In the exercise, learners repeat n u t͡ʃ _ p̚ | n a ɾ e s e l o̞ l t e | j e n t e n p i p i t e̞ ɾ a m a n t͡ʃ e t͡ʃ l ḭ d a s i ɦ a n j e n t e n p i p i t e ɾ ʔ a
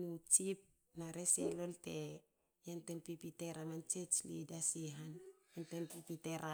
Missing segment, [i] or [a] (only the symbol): i